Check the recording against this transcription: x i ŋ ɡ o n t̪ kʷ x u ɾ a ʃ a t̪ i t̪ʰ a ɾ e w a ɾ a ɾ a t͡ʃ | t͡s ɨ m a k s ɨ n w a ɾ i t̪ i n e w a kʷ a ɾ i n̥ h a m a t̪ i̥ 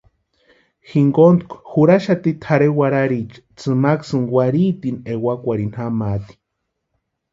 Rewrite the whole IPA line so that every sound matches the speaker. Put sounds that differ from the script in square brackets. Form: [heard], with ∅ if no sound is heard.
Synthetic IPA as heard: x i ŋ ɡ o n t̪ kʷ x u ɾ a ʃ a t̪ i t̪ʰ a ɾ e w a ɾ a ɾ [i] t͡ʃ | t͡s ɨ m a k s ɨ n w a ɾ i t̪ i n e w a kʷ a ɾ i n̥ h a m a t̪ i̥